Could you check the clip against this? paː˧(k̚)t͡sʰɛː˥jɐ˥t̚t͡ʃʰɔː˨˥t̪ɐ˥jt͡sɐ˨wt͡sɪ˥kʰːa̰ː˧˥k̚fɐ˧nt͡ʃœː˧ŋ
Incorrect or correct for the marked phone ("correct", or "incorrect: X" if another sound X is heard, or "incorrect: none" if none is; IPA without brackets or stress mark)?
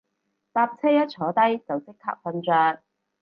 incorrect: p̚